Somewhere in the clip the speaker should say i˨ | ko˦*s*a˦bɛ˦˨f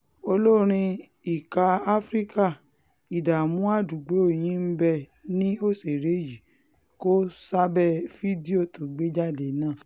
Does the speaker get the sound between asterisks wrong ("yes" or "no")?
no